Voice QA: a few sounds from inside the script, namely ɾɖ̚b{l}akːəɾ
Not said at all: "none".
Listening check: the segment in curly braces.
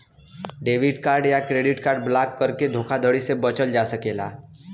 l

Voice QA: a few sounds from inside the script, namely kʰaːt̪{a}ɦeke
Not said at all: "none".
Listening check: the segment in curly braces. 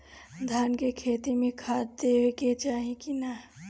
e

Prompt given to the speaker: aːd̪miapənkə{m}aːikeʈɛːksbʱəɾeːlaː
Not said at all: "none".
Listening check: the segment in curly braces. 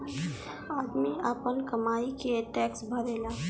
m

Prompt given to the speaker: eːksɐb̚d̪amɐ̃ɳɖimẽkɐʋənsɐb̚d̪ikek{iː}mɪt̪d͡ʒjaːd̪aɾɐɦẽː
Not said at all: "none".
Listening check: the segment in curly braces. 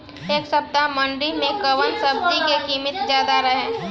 iː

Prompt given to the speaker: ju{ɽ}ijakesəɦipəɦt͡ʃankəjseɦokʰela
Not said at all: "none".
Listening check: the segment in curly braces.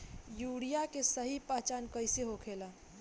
ɽ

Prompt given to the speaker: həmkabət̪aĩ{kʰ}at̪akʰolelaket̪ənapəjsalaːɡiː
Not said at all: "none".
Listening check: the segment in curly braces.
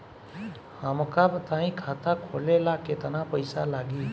kʰ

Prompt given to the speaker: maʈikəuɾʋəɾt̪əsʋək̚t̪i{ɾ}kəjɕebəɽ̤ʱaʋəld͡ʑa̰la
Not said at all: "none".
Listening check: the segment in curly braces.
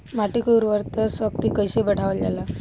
none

